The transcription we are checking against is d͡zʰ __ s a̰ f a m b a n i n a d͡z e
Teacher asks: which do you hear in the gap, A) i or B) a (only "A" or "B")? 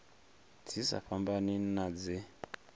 A